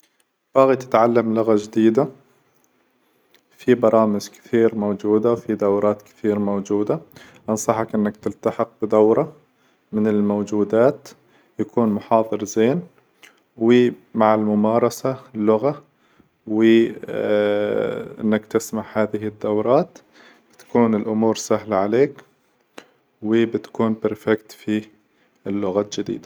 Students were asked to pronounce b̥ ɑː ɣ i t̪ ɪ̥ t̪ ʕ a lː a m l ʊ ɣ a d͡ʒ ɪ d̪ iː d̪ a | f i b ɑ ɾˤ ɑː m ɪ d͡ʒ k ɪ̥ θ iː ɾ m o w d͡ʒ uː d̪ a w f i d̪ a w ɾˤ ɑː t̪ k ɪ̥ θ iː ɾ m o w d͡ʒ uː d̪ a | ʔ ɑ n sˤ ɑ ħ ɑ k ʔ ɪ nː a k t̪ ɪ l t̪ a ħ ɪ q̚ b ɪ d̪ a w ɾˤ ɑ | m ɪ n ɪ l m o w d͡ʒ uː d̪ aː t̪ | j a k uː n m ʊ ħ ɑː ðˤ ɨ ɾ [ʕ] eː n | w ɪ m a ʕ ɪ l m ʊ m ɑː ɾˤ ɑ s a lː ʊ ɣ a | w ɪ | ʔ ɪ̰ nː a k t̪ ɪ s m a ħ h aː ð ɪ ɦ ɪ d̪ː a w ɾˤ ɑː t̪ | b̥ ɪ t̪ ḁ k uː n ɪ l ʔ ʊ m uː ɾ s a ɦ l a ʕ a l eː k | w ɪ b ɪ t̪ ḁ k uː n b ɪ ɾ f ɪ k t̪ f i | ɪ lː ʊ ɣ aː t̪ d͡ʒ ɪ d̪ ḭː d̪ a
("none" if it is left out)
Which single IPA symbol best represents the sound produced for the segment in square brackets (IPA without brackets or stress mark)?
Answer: z